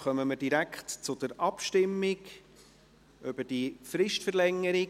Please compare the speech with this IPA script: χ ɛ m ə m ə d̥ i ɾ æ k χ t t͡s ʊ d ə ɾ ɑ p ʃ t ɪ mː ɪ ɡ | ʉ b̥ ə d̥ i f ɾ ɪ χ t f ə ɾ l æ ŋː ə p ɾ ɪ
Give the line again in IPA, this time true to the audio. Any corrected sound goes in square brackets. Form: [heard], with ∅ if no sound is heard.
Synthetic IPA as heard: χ [œ] m ə m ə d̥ i ɾ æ k χ t t͡s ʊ d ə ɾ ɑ p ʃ t ɪ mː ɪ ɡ | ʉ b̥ ə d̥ i f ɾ ɪ [ʃ] t f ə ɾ l [ɛ] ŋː ə [∅] ɾ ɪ